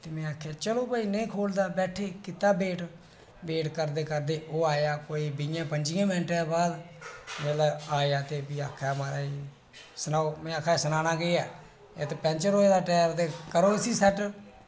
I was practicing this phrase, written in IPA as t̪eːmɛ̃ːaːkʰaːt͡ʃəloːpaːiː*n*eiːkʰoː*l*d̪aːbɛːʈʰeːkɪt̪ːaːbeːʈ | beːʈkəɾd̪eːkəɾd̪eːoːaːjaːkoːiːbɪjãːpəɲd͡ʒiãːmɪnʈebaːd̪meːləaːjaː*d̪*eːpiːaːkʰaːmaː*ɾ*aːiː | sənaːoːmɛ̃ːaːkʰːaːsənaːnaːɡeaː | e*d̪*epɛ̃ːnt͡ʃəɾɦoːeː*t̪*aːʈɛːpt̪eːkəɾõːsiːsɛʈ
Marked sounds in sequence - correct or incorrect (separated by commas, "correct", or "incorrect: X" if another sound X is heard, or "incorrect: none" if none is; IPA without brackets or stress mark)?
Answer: correct, correct, incorrect: t̪, correct, incorrect: t̪, incorrect: d̪